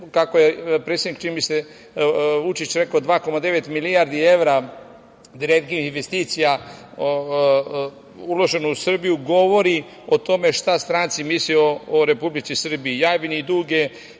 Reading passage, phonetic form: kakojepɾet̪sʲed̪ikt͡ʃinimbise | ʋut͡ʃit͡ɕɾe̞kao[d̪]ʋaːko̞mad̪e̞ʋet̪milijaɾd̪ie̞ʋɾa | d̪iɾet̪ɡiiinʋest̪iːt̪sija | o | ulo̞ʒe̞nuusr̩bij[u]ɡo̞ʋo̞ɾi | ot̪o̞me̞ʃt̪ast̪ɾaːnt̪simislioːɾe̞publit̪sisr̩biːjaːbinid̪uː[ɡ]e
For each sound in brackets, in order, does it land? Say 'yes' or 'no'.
yes, yes, yes

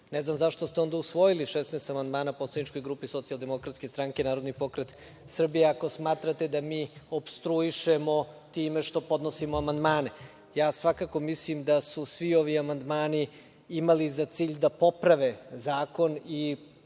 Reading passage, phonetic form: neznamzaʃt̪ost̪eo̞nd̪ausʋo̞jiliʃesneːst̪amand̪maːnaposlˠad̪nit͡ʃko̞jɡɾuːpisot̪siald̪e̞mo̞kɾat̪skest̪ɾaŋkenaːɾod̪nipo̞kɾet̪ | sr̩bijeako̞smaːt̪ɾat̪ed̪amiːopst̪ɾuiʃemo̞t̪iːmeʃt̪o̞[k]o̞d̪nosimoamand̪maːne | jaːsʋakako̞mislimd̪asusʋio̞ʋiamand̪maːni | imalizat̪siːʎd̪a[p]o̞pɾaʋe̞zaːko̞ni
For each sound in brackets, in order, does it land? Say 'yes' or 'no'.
no, yes

